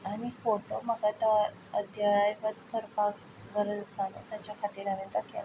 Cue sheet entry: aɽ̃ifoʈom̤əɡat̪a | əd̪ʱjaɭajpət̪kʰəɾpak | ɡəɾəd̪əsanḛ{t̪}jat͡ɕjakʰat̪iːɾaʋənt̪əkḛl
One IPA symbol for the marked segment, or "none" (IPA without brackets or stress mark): t̪